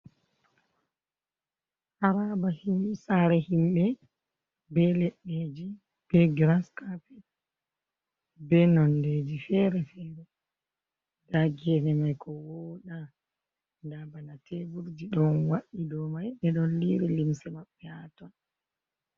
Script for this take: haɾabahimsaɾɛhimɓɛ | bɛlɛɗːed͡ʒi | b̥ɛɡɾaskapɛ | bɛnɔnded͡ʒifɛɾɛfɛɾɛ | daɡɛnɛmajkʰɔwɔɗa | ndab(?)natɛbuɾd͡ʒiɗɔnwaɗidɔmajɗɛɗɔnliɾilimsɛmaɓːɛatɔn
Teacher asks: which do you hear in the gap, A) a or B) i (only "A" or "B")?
A